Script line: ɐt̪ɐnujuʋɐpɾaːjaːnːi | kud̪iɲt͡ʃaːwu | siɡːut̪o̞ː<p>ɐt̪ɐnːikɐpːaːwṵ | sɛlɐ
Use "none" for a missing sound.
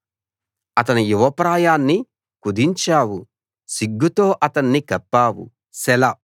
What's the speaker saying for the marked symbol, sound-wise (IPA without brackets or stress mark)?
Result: ʔ